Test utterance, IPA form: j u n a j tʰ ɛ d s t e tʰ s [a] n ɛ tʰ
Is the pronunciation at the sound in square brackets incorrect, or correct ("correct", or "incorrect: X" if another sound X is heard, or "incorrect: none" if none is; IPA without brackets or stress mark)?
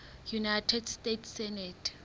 incorrect: ɛ